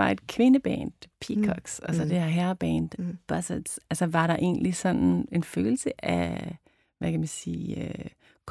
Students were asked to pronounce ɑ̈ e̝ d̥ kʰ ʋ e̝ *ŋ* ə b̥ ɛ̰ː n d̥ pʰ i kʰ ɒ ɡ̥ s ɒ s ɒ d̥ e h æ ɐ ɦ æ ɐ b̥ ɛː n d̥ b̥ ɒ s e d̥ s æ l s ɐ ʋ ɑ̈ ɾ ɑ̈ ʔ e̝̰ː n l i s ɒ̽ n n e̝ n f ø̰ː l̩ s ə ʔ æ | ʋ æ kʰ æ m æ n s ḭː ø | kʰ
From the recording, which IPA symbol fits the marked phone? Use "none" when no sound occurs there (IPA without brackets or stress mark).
n